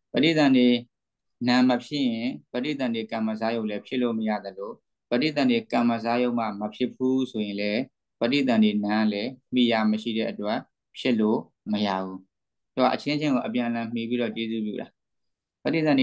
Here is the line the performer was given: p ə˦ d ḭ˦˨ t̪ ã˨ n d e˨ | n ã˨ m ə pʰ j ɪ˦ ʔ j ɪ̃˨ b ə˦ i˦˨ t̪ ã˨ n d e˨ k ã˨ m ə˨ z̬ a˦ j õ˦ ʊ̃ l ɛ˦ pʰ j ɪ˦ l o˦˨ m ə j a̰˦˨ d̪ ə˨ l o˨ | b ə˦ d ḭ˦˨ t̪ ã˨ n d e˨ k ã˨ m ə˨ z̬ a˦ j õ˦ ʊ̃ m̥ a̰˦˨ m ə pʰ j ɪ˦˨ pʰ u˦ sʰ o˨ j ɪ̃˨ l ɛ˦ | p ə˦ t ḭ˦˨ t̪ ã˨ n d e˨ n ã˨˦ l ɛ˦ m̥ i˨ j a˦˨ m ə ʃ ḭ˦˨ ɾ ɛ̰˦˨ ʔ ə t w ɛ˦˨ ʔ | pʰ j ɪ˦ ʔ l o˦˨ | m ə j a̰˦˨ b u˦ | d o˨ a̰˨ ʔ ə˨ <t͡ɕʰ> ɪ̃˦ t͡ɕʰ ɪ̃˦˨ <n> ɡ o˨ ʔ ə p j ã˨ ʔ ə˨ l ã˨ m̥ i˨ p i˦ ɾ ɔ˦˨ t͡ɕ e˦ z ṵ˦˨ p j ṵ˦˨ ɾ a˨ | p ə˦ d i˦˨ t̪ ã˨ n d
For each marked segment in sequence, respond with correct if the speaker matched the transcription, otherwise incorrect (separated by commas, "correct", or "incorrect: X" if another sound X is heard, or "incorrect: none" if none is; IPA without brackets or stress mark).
correct, incorrect: ŋ